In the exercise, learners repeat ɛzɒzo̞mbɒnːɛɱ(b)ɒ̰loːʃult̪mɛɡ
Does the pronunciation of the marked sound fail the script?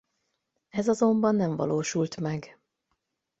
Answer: yes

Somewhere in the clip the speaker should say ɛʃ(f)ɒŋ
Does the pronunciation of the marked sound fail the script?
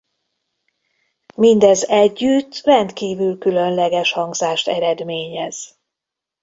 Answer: yes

